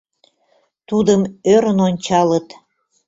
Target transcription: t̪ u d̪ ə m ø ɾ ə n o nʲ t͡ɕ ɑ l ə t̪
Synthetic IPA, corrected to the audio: t̪ u d̪ ə m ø ɾ ə n o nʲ t͡ɕ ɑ l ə t̪